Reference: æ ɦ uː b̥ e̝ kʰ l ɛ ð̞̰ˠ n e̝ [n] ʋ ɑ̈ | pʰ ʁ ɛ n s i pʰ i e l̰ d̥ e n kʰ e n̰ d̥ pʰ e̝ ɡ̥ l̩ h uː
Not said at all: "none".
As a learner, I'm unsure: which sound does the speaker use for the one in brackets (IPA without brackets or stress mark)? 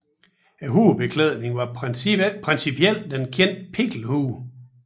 ŋ